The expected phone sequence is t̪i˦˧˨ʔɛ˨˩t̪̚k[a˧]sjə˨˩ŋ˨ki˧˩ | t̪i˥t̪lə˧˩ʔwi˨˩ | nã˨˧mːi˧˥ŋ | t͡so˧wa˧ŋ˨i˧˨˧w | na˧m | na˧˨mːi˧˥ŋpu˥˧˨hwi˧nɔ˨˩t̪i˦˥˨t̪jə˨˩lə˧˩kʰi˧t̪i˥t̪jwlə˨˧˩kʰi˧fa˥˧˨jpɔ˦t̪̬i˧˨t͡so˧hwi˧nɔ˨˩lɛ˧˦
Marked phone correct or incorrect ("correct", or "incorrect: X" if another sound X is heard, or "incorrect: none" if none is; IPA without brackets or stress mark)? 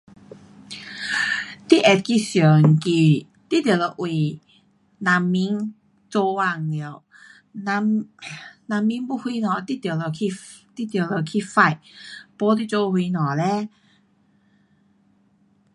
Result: incorrect: i˧